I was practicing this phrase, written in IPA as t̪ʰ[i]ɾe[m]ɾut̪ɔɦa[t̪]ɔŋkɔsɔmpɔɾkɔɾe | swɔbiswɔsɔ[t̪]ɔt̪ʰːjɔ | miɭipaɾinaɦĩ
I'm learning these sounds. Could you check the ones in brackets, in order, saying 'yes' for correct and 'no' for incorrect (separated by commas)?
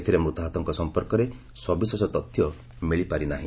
yes, yes, yes, yes